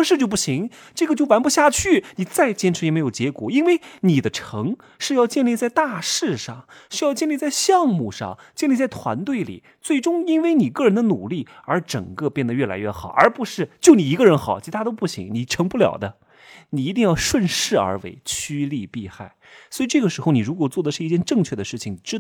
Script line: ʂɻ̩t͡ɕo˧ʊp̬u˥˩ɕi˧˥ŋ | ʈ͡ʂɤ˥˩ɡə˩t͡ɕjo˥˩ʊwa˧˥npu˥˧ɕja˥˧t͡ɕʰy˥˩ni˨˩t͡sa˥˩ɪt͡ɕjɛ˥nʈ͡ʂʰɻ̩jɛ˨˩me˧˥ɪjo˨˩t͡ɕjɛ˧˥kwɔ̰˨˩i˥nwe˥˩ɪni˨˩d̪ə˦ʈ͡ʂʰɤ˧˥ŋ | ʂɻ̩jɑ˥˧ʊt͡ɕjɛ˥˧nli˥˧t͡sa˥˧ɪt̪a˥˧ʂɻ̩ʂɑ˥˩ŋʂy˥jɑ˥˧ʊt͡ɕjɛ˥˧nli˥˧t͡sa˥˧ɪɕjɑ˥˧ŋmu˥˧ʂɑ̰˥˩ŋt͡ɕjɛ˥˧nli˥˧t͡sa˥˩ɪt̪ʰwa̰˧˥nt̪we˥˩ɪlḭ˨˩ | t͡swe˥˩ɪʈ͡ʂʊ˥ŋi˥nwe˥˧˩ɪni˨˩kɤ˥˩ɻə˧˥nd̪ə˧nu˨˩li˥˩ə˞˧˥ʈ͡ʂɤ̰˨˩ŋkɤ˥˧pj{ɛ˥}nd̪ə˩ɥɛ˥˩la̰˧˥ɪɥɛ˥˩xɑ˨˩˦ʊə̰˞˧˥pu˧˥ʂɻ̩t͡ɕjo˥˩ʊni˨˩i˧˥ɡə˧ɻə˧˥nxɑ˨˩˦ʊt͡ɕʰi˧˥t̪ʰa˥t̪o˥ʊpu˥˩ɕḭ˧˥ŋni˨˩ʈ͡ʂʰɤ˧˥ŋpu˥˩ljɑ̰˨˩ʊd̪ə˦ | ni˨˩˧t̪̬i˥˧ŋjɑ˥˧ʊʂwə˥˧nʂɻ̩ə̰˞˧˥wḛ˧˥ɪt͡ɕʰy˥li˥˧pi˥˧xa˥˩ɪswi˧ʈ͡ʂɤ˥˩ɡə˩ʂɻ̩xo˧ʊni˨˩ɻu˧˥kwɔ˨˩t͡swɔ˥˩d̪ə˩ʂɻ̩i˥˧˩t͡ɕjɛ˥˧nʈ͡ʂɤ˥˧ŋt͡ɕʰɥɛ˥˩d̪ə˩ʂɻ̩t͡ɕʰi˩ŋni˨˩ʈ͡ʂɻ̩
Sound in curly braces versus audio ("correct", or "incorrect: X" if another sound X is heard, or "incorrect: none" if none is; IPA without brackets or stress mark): incorrect: ɛ˥˩